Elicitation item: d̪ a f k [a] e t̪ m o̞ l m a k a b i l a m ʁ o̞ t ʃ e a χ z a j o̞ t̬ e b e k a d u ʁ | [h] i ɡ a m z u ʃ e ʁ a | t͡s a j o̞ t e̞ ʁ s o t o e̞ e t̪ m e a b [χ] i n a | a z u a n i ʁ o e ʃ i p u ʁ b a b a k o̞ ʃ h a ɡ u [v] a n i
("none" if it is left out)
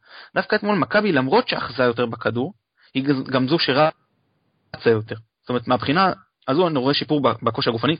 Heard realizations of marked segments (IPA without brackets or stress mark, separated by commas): a, h, χ, f